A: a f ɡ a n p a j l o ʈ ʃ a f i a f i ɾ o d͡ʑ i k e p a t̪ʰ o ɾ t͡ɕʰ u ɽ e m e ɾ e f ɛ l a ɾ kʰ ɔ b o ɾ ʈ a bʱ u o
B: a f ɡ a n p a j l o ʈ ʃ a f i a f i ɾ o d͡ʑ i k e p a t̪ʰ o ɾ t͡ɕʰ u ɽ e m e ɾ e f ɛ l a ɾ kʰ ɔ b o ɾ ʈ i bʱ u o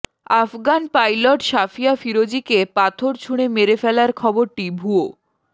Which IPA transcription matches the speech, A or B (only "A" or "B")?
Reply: B